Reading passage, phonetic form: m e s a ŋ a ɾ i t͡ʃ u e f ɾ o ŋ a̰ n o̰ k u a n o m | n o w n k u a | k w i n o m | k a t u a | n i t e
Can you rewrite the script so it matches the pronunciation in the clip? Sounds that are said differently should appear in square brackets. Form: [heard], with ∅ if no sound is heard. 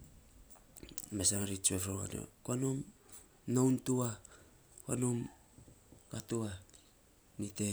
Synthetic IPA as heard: m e s a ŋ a ɾ i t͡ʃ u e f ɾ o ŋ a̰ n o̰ k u a n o m | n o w n [t] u a | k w [a] n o m | k a t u a | n i t e